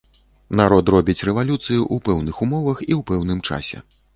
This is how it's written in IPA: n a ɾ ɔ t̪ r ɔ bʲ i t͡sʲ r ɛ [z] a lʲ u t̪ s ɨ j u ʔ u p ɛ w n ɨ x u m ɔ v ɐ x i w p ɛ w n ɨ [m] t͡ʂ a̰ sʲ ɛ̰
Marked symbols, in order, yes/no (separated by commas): no, yes